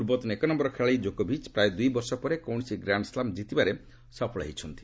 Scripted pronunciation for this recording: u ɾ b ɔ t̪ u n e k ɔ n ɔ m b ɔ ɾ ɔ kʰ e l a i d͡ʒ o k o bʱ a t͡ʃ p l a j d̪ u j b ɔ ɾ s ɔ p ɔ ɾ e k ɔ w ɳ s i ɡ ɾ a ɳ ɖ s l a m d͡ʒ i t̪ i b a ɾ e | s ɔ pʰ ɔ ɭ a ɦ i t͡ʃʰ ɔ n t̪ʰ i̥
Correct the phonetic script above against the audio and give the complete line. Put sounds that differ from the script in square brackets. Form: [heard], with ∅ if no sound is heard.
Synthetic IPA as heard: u ɾ b ɔ t̪ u n e k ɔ n ɔ m b ɔ ɾ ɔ kʰ e [ɭ] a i d͡ʒ o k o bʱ [i] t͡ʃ p [ɾ] a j d̪ u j b ɔ ɾ s ɔ p ɔ ɾ e k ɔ w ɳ s i ɡ ɾ a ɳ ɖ s l a m d͡ʒ i t̪ i b a ɾ e | s ɔ pʰ ɔ ɭ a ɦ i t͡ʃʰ ɔ n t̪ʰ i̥

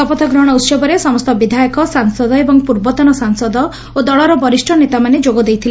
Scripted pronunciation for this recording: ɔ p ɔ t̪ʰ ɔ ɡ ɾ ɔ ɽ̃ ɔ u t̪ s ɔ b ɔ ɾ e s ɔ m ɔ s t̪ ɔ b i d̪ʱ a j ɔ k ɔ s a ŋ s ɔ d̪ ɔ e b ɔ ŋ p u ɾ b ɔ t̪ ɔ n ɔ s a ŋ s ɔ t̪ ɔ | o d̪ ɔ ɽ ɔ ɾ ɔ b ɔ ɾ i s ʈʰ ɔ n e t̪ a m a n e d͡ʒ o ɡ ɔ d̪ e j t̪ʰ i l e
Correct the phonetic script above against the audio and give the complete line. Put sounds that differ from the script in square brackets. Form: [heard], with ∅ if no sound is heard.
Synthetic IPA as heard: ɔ p ɔ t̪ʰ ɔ ɡ ɾ ɔ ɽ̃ ɔ u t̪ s ɔ b ɔ ɾ e s ɔ m ɔ s t̪ ɔ b i d̪ʱ a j ɔ k ɔ s a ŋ s ɔ d̪ ɔ e b ɔ ŋ p u ɾ b ɔ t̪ ɔ n ɔ s a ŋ s ɔ [d̪] ɔ | o d̪ ɔ [ɭ] ɔ ɾ ɔ b ɔ ɾ i s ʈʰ ɔ n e t̪ a m a n e d͡ʒ o ɡ ɔ d̪ e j t̪ʰ i l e

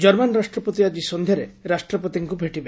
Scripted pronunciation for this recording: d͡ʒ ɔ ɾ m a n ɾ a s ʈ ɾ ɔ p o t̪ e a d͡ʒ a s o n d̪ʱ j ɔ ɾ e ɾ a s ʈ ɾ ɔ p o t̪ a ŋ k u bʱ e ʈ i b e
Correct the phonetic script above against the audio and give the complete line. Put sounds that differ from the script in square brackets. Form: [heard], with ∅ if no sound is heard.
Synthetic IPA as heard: d͡ʒ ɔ ɾ m a n ɾ a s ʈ ɾ ɔ p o t̪ [i] a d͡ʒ [i] s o n d̪ʱ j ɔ ɾ e ɾ a s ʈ ɾ ɔ p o t̪ [i] ŋ k u bʱ e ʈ i b e

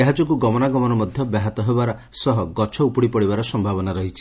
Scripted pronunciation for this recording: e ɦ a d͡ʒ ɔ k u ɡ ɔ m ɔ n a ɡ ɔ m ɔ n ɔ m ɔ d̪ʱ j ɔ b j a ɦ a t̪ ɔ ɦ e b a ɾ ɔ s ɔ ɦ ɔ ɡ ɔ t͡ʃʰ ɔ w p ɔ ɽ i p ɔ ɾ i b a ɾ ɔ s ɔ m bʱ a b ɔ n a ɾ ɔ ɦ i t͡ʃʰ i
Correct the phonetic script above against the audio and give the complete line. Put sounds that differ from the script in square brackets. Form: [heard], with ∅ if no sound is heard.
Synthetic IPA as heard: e ɦ a d͡ʒ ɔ k u ɡ ɔ m ɔ n a ɡ ɔ m ɔ n ɔ m ɔ d̪ʱ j ɔ b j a ɦ a t̪ ɔ ɦ e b a ɾ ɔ s ɔ ɦ ɔ ɡ ɔ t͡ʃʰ ɔ [u] p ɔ ɽ i p ɔ [ɽ] i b a ɾ ɔ s ɔ m bʱ a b ɔ n a ɾ ɔ ɦ i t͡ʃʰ i

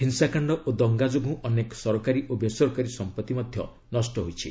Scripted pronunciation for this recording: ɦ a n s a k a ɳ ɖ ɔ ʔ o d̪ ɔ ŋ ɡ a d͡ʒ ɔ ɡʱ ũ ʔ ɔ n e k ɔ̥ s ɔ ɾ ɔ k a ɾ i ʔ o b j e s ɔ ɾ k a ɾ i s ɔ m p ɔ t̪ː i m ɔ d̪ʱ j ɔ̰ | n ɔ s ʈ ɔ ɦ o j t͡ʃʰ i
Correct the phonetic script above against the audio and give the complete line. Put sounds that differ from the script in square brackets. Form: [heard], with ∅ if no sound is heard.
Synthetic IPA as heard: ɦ [i] n s a k a ɳ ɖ ɔ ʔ o d̪ ɔ ŋ ɡ a d͡ʒ [o] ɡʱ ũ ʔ ɔ n e k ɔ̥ s ɔ ɾ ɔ k a ɾ i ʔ o b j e s ɔ ɾ k a ɾ i s ɔ m p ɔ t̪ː i m ɔ d̪ʱ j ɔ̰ | n ɔ s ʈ ɔ ɦ o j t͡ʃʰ i

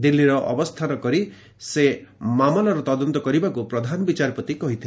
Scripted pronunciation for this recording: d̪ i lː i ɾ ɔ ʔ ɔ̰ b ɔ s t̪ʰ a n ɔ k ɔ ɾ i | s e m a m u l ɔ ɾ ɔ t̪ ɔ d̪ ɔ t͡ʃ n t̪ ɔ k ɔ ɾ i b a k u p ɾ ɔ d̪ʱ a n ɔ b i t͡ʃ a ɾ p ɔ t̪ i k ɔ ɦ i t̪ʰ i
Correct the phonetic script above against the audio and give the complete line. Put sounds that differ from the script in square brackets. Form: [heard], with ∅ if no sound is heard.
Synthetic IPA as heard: d̪ i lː i ɾ ɔ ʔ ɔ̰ b ɔ s t̪ʰ a n ɔ k ɔ ɾ i | s e m a m [ɔ] l ɔ ɾ ɔ t̪ ɔ d̪ ɔ [∅] n t̪ ɔ k ɔ ɾ i b a k u p ɾ ɔ d̪ʱ a n ɔ b i t͡ʃ a ɾ p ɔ t̪ i k ɔ ɦ i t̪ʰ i

